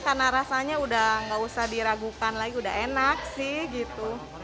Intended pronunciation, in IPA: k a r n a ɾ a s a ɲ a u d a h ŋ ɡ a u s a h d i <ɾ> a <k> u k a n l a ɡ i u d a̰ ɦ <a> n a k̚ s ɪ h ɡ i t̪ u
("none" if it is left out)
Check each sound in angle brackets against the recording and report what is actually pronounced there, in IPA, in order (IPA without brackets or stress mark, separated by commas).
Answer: ɾ, ɡ, e